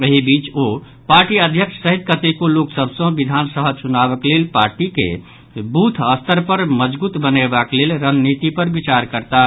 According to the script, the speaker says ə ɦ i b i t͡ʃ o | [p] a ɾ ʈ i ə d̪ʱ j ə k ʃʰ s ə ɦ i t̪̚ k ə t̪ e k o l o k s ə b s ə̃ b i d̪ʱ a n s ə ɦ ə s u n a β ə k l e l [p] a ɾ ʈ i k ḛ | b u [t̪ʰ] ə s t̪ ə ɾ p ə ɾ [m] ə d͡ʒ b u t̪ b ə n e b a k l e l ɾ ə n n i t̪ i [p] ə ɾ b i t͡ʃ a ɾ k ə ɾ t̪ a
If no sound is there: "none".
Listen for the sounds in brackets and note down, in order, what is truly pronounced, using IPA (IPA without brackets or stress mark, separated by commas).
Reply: p, p, t̪ʰ, m, p